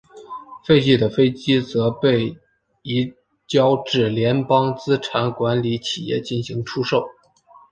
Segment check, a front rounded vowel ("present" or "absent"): absent